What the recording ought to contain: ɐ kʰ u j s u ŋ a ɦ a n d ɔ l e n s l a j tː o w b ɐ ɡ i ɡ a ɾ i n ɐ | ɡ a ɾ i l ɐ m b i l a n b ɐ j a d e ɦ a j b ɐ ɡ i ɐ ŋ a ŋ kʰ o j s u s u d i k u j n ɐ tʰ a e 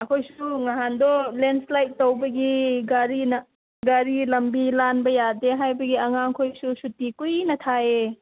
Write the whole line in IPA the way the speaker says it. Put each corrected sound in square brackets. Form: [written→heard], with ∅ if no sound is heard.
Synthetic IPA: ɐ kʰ [u→o] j s u ŋ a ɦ a n d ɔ l e n s l a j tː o w b ɐ ɡ i ɡ a ɾ i n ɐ | ɡ a ɾ i l ɐ m b i l a n b ɐ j a d e ɦ a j b ɐ ɡ i ɐ ŋ a ŋ kʰ o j s u s u [d→t] i k u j n ɐ tʰ a e